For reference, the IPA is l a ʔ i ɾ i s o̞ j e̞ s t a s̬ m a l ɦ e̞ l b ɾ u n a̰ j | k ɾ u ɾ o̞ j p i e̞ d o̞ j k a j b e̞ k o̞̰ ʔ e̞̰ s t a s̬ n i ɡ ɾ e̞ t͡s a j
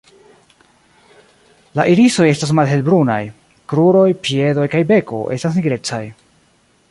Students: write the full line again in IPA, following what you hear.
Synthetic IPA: l a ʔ i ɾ i s o̞ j e̞ s t a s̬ m a l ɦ e̞ l b ɾ u n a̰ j | k ɾ u ɾ o̞ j p i e̞ d o̞ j k a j b e̞ k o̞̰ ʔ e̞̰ s t a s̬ n i ɡ ɾ e̞ t͡s a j